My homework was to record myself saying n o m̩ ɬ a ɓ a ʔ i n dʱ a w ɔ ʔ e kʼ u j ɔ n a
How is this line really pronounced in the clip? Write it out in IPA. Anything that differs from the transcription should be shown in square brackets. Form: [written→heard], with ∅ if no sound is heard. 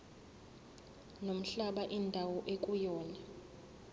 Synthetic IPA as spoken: n o m̩ ɬ a ɓ a ʔ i n dʱ a w ɔ ʔ e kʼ u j [ɔ→ɔː] n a